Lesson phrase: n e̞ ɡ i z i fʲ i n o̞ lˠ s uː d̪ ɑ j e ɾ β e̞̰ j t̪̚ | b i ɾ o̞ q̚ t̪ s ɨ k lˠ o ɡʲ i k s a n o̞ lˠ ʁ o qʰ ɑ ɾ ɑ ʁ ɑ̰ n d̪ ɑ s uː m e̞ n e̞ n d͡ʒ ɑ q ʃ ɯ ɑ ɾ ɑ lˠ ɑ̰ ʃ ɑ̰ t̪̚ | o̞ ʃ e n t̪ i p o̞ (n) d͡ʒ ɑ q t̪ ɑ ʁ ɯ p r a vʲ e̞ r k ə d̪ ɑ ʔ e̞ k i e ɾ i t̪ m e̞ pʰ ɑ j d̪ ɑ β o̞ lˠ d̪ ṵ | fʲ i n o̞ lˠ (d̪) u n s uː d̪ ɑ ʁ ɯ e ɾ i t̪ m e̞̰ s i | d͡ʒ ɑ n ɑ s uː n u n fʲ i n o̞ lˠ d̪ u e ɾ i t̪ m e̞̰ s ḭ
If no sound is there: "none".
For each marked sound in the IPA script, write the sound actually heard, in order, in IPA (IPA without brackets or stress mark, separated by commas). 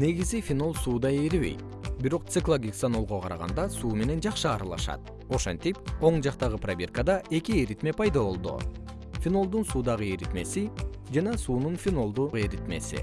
ɴ, d̪